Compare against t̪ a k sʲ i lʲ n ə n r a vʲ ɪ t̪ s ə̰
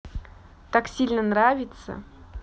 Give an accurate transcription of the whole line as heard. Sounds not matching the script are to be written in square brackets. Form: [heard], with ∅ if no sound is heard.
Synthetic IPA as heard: t̪ a k sʲ i lʲ n ə n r a vʲ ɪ t̪ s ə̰